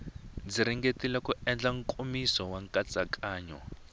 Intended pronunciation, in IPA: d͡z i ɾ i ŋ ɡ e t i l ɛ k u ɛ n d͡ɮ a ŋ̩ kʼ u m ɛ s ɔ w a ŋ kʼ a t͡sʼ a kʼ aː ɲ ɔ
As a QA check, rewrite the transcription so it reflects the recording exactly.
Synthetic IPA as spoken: d͡z i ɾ i ŋ ɡ e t i l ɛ k u ɛ n d͡ɮ a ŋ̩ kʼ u m i s ɔ w a ŋ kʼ a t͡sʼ a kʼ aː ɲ ɔ